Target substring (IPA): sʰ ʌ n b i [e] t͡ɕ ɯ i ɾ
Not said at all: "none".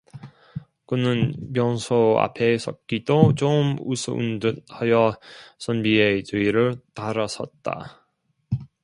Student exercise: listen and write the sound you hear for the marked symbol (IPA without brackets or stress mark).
e